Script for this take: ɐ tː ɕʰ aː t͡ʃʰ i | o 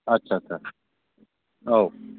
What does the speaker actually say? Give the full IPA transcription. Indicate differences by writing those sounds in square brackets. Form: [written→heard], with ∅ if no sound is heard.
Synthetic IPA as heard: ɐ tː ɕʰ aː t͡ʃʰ [i→a] | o